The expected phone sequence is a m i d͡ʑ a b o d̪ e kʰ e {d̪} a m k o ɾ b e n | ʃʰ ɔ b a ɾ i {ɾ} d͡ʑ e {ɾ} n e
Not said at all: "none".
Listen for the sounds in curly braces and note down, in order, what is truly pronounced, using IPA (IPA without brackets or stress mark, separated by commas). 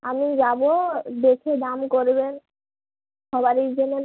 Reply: d̪, ɾ, none